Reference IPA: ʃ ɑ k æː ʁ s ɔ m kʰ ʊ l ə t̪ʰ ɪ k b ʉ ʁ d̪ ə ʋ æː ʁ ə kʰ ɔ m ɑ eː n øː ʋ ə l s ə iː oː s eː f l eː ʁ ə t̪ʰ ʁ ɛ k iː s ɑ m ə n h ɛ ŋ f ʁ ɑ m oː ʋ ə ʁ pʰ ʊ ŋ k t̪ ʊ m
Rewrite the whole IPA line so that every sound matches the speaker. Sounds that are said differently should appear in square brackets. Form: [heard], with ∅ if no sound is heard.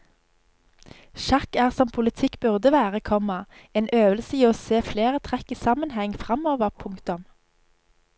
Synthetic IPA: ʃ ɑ k æː ʁ s ɔ m [pʰ] ʊ l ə t̪ʰ ɪ k b ʉ ʁ d̪ ə ʋ æː ʁ ə kʰ ɔ m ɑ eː n øː ʋ ə l s ə iː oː s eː f l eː ʁ ə t̪ʰ ʁ ɛ k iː s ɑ m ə n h ɛ ŋ f ʁ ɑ m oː ʋ ə ʁ pʰ ʊ ŋ k t̪ ʊ m